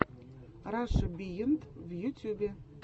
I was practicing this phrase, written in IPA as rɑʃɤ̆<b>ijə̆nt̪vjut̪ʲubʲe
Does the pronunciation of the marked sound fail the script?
no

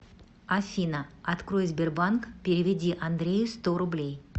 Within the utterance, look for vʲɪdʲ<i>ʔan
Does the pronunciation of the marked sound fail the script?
no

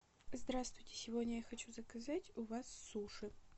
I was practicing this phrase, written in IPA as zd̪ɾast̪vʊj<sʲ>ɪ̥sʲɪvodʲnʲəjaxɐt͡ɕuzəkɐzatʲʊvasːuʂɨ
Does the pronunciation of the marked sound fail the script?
yes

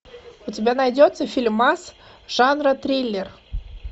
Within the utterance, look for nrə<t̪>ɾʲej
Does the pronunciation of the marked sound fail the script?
no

